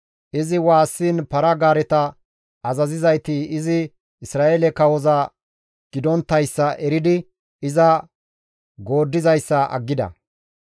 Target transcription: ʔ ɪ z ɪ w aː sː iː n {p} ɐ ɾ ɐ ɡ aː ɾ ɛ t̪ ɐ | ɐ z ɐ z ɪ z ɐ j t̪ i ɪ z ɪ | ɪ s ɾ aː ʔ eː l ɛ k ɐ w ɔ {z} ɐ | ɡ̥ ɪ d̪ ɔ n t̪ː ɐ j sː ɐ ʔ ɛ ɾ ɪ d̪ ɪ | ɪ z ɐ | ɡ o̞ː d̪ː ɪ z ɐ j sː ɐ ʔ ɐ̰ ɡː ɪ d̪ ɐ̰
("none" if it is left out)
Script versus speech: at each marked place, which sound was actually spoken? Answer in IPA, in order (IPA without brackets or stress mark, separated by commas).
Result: p, z